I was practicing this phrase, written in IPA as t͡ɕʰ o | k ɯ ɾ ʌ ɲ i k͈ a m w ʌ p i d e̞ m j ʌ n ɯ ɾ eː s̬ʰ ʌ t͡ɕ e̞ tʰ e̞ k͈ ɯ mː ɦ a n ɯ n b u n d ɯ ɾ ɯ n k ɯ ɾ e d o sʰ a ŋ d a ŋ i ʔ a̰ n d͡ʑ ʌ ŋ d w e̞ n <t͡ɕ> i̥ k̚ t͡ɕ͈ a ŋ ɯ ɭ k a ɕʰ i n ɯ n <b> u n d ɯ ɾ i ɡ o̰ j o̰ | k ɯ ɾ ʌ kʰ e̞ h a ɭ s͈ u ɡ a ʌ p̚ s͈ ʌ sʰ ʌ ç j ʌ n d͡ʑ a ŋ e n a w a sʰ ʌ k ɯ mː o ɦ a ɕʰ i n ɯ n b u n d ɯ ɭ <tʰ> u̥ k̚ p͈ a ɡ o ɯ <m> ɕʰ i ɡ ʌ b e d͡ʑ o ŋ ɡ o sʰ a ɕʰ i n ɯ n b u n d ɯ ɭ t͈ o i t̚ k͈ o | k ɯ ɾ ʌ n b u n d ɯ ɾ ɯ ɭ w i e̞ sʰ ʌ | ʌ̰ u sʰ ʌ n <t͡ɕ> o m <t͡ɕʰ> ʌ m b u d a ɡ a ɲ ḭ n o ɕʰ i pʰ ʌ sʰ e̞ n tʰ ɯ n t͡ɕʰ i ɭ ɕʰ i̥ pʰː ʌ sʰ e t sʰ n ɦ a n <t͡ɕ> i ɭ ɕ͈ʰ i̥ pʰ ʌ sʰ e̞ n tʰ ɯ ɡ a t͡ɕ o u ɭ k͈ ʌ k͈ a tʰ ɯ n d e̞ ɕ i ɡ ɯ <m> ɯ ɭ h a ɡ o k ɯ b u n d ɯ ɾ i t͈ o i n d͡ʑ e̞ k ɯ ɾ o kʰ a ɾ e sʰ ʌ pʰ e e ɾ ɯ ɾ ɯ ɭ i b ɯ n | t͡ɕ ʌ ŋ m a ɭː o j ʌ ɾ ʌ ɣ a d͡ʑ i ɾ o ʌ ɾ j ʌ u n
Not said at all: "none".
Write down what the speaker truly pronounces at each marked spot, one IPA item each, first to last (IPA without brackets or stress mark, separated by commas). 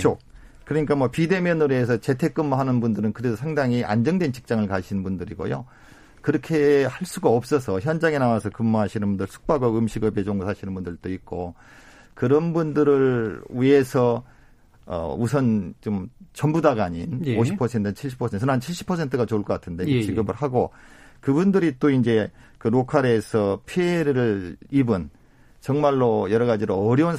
t͡ɕ, b, sʰ, m, t͡ɕ, t͡ɕ, t͡ɕʰ, b